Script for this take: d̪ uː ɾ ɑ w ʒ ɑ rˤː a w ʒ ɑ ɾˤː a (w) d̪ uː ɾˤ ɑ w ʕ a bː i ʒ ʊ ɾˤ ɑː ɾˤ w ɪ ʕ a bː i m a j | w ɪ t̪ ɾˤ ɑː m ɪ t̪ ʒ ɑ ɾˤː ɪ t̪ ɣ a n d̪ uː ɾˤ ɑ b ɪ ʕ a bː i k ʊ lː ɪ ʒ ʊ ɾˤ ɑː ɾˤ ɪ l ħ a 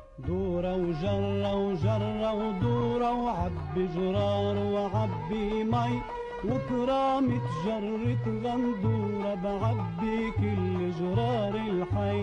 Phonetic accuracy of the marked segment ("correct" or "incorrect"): correct